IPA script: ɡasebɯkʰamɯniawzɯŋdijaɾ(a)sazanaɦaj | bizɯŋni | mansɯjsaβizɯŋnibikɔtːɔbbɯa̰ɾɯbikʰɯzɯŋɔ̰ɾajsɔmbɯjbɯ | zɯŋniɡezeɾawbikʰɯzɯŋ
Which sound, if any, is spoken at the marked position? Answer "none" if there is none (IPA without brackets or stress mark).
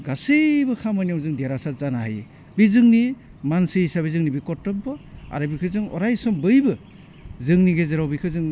a